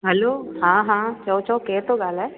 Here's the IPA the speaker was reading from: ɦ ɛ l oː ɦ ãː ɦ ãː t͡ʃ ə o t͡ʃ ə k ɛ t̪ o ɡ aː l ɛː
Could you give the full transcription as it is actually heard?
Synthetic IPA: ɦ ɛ l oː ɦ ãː ɦ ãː t͡ʃ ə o t͡ʃ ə k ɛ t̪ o ɡ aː l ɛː